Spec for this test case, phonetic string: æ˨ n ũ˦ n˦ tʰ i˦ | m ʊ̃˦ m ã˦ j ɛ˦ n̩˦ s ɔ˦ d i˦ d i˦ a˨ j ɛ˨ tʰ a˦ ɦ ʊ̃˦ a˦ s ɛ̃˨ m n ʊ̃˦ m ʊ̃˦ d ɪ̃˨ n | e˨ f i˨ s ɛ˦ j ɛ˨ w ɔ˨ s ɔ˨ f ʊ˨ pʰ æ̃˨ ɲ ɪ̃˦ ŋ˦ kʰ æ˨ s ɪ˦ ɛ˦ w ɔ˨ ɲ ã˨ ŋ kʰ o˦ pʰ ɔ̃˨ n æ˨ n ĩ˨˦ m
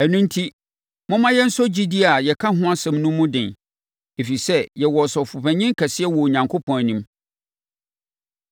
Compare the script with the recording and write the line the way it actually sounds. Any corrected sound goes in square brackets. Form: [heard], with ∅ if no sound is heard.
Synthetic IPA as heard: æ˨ n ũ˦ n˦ tʰ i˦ | m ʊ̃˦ m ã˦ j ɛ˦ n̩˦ s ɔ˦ [d͡ʑ] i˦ d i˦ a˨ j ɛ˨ [kʰ] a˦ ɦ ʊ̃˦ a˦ s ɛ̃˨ m n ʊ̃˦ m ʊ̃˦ d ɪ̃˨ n | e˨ f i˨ s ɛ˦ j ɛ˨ w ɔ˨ s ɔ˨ f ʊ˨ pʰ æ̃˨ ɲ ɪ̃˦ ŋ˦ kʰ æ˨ s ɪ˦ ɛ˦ w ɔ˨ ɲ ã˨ ŋ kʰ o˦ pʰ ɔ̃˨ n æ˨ n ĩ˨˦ m